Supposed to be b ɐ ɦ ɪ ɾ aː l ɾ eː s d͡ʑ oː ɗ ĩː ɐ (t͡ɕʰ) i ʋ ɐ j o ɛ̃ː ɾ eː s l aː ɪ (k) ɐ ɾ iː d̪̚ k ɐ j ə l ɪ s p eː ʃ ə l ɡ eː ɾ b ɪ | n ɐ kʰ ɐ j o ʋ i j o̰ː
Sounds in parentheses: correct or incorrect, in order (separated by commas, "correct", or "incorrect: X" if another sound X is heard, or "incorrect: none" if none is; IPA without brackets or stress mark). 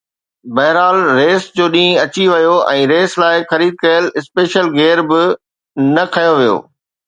incorrect: t͡ɕ, incorrect: x